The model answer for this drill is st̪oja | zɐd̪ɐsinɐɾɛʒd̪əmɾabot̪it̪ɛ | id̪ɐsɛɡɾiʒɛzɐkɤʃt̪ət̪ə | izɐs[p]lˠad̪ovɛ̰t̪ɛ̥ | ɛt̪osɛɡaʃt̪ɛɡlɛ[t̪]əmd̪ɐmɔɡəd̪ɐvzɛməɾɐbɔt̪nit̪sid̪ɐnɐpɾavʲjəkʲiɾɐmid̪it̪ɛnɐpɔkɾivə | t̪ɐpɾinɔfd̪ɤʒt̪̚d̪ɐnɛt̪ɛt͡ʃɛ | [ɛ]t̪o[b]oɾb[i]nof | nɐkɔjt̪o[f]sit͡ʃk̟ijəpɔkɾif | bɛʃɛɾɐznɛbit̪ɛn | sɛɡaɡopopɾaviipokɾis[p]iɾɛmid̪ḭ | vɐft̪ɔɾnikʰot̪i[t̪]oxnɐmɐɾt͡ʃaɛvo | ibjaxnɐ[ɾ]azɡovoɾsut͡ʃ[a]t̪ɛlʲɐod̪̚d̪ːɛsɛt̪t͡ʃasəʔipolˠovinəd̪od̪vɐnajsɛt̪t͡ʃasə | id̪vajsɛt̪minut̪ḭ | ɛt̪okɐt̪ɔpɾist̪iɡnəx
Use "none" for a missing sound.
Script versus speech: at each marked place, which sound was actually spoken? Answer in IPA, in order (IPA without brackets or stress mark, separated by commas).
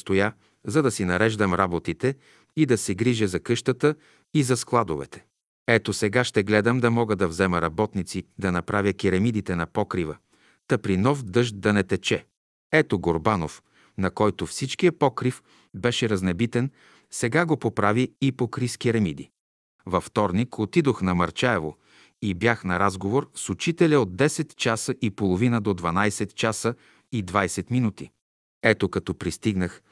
k, d̪, ɛ, ɡ, a, f, k, d̪, ɾ, i